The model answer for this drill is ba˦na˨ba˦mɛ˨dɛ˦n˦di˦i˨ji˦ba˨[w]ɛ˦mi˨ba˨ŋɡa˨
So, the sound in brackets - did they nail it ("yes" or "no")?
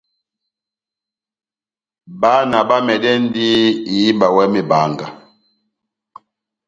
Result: yes